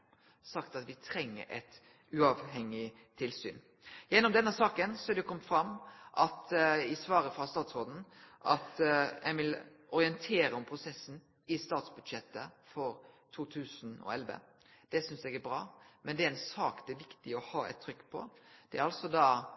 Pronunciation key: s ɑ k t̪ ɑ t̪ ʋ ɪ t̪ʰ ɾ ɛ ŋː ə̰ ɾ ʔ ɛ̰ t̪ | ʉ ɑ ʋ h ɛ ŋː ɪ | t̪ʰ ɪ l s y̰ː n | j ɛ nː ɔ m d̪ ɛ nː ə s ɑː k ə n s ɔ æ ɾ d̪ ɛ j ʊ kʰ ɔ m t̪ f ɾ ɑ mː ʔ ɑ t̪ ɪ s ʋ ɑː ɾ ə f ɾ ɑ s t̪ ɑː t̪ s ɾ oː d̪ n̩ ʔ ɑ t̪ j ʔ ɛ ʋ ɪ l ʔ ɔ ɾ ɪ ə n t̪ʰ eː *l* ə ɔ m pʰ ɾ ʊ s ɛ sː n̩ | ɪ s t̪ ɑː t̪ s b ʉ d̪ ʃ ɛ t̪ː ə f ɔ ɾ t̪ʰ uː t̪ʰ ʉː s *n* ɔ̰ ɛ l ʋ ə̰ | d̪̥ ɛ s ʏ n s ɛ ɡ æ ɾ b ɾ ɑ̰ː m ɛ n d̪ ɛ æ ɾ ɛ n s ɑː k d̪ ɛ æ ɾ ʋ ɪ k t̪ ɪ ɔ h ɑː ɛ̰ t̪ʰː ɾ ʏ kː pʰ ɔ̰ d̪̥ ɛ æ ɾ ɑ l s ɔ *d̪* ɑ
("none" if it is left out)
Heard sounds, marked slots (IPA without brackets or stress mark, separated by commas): ɾ, n, d̪